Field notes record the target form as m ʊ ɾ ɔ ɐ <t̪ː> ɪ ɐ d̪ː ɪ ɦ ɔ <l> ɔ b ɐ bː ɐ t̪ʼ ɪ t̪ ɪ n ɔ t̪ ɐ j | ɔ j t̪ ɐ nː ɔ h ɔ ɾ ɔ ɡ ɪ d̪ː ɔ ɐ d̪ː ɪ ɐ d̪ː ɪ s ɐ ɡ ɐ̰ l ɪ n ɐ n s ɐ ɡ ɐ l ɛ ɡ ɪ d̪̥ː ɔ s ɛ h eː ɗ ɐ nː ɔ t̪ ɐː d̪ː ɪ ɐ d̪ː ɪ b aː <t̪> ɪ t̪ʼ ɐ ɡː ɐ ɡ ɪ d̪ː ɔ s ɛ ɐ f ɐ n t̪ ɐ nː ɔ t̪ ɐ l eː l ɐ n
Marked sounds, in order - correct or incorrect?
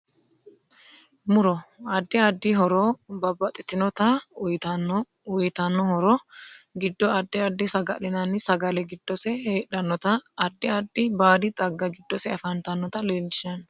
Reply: incorrect, incorrect, incorrect

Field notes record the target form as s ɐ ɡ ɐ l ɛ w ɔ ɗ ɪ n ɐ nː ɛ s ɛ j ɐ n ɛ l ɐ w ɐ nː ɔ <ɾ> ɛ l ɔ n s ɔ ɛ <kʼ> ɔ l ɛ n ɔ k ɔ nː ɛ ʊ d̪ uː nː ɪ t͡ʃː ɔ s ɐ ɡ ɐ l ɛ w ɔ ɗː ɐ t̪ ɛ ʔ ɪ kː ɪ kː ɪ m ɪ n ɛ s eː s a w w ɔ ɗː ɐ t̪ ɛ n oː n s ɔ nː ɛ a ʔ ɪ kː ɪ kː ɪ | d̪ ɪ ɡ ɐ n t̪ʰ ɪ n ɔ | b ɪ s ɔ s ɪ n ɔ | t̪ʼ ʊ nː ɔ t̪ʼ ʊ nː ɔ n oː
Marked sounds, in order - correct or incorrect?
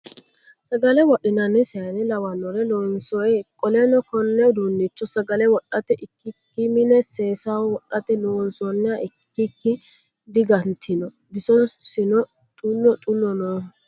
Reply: correct, correct

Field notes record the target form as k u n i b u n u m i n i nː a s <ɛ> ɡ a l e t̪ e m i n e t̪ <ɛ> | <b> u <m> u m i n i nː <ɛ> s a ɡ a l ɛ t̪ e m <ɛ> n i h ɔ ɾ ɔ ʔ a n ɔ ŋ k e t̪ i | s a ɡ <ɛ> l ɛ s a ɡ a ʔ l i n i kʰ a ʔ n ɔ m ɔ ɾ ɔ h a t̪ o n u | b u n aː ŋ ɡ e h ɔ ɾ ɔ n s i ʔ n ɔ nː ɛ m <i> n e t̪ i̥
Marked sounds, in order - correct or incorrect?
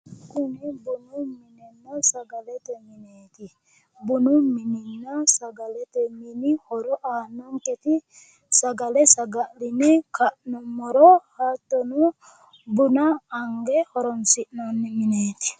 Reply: incorrect, incorrect, correct, incorrect, incorrect, incorrect, incorrect, correct

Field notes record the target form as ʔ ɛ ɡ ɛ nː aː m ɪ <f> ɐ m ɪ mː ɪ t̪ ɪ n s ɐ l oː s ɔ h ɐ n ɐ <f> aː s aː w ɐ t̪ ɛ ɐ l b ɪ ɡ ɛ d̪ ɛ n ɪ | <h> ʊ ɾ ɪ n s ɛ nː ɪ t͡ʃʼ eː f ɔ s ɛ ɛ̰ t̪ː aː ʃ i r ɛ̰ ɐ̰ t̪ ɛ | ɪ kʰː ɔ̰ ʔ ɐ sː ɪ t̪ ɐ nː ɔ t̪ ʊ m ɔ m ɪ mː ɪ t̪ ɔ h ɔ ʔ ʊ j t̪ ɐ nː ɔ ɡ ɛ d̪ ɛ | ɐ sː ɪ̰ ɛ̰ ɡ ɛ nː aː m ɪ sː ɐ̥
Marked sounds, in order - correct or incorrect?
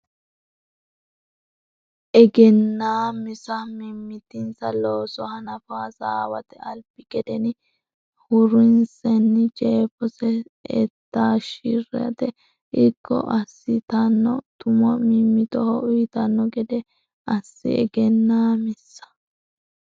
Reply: incorrect, correct, correct

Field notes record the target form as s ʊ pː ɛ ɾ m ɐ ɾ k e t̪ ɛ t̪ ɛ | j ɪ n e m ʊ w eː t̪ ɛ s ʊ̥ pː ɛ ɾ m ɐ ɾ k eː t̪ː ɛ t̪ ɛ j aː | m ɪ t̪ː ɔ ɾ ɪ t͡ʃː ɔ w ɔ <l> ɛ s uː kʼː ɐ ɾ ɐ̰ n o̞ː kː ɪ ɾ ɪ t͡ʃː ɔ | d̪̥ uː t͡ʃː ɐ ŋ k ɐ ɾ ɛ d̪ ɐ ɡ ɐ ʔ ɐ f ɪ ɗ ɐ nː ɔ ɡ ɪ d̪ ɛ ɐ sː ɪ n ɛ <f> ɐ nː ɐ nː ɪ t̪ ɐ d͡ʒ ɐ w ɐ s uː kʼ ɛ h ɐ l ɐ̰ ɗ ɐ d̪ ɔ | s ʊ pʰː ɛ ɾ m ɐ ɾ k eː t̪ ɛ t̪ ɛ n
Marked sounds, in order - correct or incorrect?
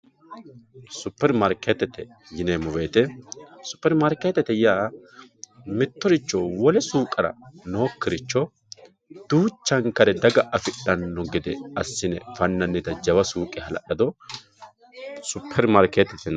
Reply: correct, correct

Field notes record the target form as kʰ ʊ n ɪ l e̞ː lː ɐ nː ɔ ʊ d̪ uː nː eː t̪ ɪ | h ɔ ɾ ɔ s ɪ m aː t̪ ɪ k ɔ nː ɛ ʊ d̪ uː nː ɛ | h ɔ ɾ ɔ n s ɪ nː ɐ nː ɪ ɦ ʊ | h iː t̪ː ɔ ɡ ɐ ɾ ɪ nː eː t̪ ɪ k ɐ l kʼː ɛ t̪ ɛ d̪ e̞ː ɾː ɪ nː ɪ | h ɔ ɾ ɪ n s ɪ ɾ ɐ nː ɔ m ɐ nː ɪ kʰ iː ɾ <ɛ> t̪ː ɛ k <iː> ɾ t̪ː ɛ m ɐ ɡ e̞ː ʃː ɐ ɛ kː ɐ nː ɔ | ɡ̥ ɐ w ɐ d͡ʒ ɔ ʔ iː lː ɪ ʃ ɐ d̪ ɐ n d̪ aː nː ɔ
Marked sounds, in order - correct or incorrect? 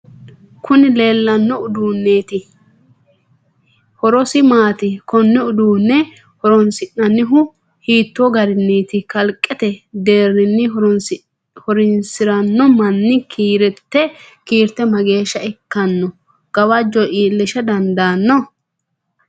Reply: correct, correct

